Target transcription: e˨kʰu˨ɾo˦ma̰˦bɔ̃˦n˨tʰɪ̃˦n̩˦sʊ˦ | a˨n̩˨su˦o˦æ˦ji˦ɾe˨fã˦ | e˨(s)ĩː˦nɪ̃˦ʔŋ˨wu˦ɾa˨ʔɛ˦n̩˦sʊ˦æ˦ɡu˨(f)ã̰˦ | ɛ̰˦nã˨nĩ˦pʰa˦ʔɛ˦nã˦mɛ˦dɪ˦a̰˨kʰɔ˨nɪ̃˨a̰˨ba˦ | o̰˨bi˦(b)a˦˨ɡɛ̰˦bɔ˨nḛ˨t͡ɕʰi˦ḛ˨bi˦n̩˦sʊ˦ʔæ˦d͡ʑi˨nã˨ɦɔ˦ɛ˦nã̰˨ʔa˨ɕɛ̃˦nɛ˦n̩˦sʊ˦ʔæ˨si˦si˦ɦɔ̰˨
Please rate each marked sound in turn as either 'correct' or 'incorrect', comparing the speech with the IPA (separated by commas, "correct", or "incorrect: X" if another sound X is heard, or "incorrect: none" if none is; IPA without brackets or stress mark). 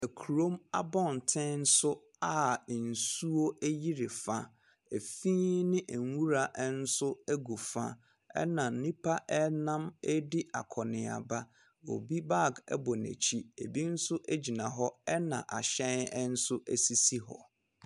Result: incorrect: f, correct, correct